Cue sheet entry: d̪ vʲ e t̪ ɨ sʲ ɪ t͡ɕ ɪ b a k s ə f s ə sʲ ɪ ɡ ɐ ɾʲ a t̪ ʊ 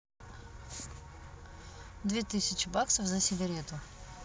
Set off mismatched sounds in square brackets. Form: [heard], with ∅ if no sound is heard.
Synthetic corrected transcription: d̪ vʲ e t̪ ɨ sʲ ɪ t͡ɕ ɪ b a k s ə f [z] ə sʲ ɪ ɡ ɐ ɾʲ [e] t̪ ʊ